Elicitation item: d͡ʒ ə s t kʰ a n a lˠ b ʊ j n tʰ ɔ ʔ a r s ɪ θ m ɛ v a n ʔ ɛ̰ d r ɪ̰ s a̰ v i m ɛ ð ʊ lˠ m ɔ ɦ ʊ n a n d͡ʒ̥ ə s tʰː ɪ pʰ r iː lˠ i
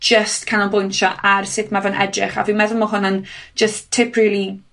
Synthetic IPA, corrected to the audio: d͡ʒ ə s t kʰ a n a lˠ b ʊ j n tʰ ɔ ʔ a r s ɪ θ m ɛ v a n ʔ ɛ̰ d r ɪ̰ χ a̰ v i m ɛ ð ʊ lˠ m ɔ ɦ ʊ n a n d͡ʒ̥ ə s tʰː ɪ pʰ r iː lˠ i